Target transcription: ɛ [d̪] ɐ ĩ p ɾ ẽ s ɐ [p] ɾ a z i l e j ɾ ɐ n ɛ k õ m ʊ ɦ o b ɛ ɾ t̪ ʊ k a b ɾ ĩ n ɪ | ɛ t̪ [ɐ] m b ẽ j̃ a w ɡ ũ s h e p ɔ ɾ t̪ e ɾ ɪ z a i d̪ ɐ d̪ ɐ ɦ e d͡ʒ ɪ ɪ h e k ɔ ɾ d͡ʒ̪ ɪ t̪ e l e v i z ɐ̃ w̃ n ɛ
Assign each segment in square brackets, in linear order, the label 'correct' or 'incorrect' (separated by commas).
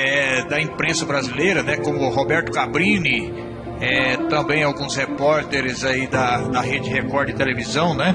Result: correct, incorrect, incorrect